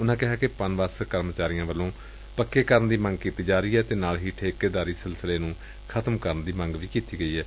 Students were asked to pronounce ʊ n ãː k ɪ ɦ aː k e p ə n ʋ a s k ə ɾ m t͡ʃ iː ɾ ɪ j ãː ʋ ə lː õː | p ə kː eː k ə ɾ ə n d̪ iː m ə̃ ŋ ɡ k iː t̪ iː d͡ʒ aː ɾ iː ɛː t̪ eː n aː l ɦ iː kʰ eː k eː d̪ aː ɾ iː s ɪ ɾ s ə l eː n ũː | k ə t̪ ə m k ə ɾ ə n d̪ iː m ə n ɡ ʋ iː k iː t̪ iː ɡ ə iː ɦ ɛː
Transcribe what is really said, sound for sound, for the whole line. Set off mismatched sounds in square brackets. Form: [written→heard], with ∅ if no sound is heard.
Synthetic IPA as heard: ʊ n ãː k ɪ ɦ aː k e p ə n ʋ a s k ə ɾ m t͡ʃ [iː→aː] ɾ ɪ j ãː ʋ ə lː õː | p ə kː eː k ə ɾ ə n d̪ iː m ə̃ ŋ ɡ k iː t̪ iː d͡ʒ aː ɾ iː ɛː t̪ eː n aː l ɦ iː [kʰ→ʈʰ] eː k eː d̪ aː ɾ iː s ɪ [ɾ→l] s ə l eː n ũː | [k→kʰ] ə t̪ ə m k ə ɾ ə n d̪ iː m ə [n→ŋ] ɡ ʋ iː k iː t̪ iː ɡ ə iː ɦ ɛː